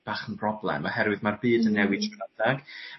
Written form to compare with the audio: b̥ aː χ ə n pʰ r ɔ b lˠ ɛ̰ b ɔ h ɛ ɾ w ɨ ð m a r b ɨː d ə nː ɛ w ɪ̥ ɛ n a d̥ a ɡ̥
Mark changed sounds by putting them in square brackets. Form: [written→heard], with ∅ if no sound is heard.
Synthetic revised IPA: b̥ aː χ ə n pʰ r ɔ b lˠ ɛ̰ [b→m] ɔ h ɛ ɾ w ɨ ð m a r b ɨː d ə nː ɛ w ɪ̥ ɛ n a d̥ a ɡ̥